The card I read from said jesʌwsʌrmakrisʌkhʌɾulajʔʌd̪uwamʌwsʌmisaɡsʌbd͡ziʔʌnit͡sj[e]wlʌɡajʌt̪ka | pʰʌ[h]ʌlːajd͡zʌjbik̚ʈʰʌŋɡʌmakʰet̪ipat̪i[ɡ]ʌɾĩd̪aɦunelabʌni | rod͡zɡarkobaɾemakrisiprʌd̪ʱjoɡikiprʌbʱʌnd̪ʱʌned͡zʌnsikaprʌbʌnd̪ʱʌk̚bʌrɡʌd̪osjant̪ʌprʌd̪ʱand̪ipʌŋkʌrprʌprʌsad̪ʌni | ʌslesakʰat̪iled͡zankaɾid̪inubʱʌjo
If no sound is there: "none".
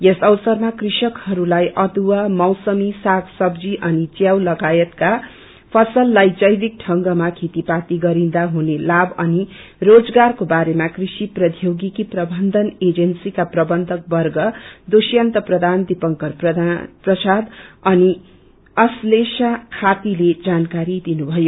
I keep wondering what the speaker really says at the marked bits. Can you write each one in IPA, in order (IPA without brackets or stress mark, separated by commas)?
a, s, ɡ